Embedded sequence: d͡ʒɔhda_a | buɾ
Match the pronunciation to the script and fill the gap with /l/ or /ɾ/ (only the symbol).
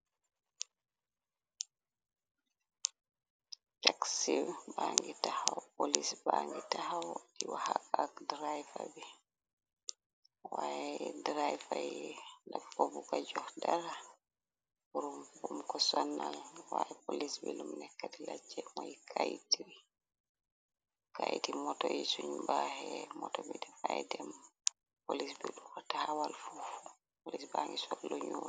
ɾ